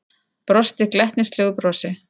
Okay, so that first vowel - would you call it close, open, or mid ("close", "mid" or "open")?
mid